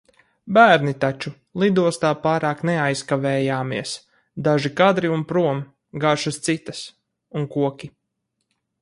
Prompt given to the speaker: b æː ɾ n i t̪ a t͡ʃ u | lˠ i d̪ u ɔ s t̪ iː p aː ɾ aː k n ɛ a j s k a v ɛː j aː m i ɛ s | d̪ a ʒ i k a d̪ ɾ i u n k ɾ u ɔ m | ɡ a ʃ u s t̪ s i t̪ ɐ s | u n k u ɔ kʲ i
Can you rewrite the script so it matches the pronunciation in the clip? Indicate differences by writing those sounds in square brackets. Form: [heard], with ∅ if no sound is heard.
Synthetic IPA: b æː ɾ n i t̪ a t͡ʃ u | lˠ i d̪ u ɔ s t̪ [aː] p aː ɾ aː k n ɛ a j s k a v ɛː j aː m i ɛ s | d̪ a ʒ i k a d̪ ɾ i u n [p] ɾ u ɔ m | ɡ a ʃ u s t̪ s i t̪ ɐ s | u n k u ɔ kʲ i